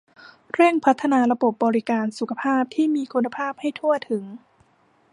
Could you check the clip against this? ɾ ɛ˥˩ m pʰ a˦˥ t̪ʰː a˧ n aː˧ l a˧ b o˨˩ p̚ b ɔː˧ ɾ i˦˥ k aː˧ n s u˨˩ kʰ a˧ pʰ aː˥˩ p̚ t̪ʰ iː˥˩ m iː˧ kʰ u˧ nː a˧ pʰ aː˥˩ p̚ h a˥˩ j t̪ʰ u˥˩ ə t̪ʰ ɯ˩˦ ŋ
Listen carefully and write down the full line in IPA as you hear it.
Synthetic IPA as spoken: ɾ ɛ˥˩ ŋ pʰ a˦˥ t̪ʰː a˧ n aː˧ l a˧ b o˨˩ p̚ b ɔː˧ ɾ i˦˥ k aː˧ n s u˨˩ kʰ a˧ pʰ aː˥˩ p̚ t̪ʰ iː˥˩ m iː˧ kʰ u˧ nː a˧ pʰ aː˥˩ p̚ h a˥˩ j t̪ʰ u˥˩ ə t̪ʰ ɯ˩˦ ŋ